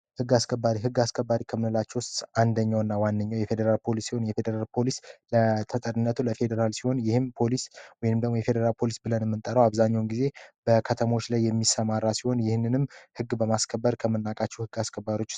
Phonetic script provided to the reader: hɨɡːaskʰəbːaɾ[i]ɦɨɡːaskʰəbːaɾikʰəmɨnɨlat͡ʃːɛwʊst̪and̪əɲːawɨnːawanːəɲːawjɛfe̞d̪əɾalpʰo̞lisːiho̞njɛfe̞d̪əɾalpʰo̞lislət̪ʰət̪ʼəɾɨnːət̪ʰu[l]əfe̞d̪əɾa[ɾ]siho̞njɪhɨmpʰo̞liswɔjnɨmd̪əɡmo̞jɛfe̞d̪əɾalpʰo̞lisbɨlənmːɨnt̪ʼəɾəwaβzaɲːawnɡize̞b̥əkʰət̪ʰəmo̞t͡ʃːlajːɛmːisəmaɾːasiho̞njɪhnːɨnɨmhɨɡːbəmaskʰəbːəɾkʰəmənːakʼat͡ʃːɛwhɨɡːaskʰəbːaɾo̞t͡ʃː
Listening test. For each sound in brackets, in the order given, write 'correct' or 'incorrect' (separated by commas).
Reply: correct, correct, incorrect